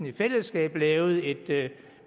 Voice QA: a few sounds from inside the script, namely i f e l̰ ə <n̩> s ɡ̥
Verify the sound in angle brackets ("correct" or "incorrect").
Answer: incorrect